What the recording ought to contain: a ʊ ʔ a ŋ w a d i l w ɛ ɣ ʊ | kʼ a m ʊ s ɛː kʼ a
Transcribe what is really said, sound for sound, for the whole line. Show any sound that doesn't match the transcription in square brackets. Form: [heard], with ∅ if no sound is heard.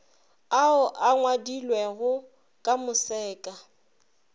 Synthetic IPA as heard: a ʊ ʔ a ŋ w a d i l w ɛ ɣ ʊ | kʼ a m ʊ s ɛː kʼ a